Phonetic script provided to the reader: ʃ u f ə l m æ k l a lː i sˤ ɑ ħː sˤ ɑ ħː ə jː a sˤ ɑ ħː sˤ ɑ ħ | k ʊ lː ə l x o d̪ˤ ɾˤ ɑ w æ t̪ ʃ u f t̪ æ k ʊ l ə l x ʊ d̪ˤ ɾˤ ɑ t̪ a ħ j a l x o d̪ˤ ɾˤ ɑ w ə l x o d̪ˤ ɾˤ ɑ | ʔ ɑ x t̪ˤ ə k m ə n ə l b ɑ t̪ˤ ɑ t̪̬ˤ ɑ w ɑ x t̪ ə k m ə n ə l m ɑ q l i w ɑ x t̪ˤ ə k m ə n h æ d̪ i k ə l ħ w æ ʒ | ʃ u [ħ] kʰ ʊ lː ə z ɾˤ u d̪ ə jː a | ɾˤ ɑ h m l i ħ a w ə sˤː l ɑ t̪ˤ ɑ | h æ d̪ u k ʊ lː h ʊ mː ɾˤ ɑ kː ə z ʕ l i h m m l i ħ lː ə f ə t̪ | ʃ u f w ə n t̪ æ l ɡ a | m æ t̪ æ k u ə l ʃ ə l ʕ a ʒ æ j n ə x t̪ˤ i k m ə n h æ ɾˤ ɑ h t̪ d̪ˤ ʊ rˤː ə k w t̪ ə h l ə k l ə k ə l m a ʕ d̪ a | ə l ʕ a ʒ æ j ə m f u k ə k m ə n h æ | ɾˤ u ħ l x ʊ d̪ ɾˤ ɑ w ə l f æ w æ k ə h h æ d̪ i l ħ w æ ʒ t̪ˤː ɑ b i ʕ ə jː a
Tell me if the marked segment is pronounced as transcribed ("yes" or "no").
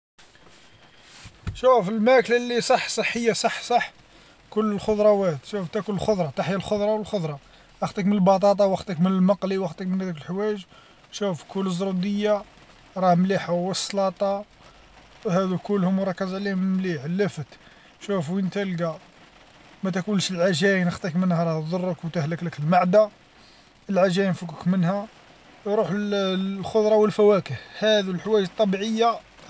no